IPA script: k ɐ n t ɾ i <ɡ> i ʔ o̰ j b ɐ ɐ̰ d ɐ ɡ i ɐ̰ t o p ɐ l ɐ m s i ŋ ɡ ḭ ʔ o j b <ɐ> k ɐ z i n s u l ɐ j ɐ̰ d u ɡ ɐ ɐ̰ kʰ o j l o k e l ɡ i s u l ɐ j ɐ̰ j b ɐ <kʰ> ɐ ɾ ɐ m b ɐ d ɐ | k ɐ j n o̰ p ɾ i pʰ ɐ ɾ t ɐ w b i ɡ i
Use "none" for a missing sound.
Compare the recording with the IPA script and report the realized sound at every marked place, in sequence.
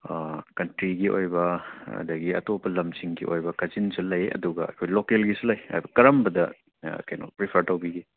ɡ, ɐ, k

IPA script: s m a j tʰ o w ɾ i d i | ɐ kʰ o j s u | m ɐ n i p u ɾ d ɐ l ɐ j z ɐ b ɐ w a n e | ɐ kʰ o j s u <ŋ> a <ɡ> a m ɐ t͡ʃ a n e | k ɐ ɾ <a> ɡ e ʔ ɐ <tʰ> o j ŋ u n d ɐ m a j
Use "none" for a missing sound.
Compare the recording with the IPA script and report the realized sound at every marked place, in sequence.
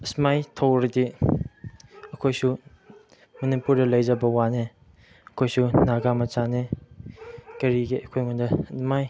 n, ɡ, i, kʰ

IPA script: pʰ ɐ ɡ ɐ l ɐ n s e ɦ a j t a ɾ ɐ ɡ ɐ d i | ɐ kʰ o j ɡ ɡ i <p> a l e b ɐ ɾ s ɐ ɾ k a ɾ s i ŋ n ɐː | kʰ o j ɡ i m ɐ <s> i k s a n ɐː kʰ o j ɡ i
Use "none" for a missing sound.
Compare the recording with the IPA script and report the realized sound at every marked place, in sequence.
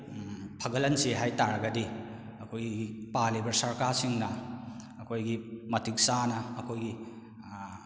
p, t

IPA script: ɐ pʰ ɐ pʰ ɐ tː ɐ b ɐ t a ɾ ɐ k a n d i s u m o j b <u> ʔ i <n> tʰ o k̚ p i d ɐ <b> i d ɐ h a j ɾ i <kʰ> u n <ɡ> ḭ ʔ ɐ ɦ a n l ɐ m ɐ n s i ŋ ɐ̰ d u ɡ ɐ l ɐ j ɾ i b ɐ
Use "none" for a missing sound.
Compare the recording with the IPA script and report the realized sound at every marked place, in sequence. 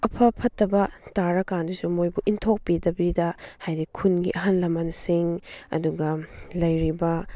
u, n, b, kʰ, ɡ

